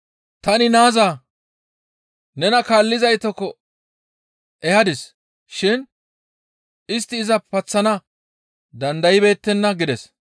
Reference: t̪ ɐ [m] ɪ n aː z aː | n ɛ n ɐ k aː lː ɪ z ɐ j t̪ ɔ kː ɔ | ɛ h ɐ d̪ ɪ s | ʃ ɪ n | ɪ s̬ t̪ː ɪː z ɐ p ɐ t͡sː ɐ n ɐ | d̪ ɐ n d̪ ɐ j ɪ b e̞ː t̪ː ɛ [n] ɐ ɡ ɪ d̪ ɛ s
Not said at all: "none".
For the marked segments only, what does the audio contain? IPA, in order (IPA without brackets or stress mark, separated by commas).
n, nː